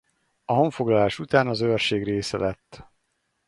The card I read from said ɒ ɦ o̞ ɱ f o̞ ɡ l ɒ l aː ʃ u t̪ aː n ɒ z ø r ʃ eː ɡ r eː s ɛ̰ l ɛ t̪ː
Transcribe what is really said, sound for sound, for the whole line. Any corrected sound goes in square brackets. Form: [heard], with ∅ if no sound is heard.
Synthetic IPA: ɒ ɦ o̞ ɱ f o̞ ɡ l ɒ l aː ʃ u t̪ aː n ɒ z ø r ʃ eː ɡ r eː s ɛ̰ l ɛ t̪ː